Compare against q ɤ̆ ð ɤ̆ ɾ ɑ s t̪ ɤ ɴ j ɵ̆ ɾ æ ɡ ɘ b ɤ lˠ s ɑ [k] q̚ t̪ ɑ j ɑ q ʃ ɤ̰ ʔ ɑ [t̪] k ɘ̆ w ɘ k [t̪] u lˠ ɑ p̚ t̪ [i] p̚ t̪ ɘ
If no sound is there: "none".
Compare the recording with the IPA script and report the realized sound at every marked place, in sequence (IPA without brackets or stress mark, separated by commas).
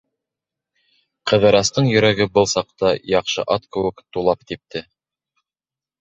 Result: none, t̪, t̪, i